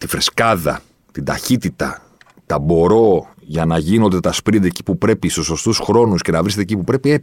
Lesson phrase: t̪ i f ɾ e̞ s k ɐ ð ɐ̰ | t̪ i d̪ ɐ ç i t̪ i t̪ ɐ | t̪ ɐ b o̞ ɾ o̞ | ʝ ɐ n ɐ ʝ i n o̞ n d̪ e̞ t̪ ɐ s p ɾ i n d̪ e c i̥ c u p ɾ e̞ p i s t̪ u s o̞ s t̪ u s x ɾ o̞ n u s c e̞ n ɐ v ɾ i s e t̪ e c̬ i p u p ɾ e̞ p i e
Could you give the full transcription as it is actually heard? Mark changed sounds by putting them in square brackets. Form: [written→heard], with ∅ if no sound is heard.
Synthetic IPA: t̪ i f ɾ e̞ s k ɐ ð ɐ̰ | t̪ i d̪ ɐ ç i t̪ i t̪ ɐ | t̪ ɐ b o̞ ɾ o̞ | ʝ ɐ n ɐ ʝ i n o̞ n d̪ e̞ t̪ ɐ s p ɾ i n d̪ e c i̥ [c→p] u p ɾ e̞ p i s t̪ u s o̞ s t̪ u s x ɾ o̞ n u s c e̞ n ɐ v ɾ i s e t̪ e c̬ i p u p ɾ e̞ p i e